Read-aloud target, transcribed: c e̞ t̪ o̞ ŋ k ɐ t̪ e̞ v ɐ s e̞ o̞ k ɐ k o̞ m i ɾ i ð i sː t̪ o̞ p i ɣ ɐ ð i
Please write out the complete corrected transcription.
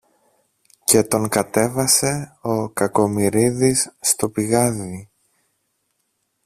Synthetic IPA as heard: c e̞ t̪ o̞ ŋ k ɐ t̪ e̞ v ɐ s e̞ o̞ k ɐ k o̞ m i ɾ i ð i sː t̪ o̞ p i ɣ ɐ ð i